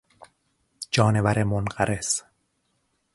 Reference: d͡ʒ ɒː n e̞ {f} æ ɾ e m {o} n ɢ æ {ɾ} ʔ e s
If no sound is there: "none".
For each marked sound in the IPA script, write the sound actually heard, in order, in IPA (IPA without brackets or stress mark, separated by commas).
v, o, ɾ